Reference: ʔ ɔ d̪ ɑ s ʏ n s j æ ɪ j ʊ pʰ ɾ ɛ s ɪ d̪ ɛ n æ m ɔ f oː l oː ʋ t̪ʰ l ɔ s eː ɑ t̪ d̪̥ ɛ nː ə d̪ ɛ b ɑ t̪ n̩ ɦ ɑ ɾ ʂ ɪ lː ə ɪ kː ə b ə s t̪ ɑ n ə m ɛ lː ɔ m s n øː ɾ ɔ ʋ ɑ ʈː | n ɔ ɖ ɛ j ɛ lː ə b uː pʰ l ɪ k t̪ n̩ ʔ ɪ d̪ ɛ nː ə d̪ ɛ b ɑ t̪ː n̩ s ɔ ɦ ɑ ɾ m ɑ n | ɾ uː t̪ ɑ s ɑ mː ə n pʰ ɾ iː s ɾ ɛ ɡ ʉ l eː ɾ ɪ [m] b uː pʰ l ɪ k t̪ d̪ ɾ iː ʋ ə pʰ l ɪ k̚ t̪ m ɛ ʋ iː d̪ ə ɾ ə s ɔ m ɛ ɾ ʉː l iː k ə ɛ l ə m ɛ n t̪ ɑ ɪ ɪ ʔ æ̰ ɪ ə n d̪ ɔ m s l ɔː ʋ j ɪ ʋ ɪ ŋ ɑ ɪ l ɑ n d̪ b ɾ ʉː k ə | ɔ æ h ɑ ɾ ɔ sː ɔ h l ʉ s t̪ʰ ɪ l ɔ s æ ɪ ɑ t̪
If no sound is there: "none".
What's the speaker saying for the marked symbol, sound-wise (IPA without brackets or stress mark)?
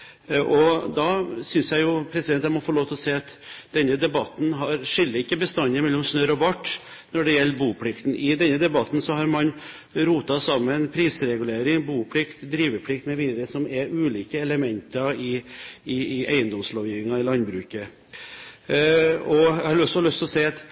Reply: ŋ